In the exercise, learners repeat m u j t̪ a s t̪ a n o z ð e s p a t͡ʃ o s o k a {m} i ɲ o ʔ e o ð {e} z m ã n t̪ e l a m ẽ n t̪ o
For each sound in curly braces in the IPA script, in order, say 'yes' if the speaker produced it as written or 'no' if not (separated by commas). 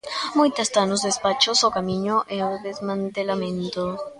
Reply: yes, yes